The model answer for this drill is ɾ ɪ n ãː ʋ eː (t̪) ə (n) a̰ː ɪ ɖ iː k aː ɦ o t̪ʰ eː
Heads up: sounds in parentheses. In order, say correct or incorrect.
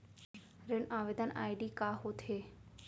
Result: incorrect, correct

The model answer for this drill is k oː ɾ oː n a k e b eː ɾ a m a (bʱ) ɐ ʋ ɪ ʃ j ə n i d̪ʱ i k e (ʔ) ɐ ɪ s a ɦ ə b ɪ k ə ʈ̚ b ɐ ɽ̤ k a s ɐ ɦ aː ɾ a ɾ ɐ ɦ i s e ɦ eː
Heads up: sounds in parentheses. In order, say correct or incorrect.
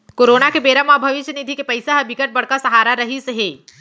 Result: correct, incorrect

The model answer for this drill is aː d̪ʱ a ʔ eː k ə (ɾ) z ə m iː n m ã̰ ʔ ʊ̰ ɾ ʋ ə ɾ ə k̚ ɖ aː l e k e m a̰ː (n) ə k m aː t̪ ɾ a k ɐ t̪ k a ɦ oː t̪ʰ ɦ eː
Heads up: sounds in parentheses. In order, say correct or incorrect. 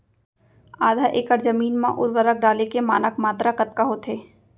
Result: correct, correct

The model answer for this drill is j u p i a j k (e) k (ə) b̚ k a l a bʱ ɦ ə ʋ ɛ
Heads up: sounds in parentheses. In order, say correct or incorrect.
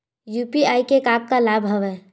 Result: correct, incorrect

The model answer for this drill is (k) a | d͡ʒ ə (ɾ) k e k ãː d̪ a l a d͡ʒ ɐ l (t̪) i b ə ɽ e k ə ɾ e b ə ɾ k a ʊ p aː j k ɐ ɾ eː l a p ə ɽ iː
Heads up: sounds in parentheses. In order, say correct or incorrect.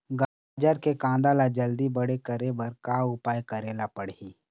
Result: incorrect, correct, incorrect

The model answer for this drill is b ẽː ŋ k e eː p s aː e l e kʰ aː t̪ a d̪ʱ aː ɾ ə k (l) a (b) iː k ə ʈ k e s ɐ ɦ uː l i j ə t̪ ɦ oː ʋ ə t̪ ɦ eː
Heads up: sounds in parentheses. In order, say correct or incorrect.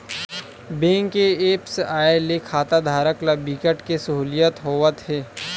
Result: correct, correct

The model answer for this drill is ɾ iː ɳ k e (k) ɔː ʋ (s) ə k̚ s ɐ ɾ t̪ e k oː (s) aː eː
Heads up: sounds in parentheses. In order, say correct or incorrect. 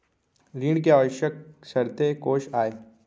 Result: incorrect, incorrect, incorrect

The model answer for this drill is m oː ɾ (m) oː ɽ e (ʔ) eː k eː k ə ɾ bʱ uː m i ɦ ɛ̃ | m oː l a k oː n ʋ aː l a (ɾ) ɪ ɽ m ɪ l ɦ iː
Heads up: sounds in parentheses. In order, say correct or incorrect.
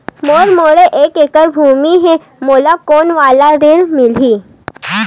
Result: correct, correct, correct

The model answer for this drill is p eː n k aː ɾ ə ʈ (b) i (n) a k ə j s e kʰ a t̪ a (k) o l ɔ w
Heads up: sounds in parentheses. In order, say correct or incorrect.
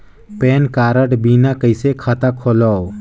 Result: correct, correct, incorrect

